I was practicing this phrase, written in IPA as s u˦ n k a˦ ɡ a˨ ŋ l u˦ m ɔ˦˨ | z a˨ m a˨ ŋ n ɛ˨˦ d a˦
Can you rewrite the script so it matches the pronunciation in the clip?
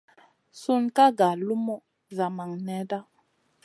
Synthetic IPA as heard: s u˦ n k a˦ ɡ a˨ l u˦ m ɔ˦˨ | z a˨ m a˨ ŋ n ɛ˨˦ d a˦